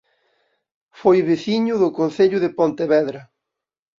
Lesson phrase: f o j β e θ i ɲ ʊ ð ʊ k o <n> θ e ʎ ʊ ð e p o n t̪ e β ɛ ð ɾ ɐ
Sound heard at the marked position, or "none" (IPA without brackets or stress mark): n